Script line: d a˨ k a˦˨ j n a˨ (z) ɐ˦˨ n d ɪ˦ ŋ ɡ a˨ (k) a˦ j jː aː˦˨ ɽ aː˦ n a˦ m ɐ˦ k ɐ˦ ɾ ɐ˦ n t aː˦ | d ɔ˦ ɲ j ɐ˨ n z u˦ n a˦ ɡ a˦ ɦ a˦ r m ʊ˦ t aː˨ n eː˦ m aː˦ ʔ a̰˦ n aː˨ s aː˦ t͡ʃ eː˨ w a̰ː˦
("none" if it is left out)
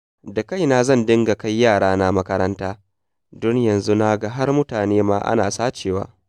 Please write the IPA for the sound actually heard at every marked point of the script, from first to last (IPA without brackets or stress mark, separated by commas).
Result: z, k